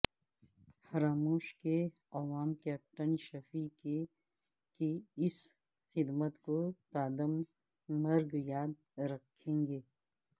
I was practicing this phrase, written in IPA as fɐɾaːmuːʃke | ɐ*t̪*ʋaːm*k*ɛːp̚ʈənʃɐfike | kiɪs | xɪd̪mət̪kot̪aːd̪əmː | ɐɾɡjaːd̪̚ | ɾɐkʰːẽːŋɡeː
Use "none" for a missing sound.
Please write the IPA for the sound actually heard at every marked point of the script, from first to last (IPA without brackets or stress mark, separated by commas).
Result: none, k